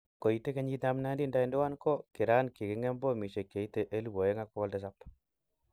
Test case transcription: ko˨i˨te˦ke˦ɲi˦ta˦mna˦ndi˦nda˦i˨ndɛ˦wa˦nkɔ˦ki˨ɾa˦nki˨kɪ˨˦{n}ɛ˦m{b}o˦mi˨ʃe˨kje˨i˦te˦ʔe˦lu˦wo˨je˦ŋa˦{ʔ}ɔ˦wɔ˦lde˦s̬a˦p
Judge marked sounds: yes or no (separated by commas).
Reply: no, yes, no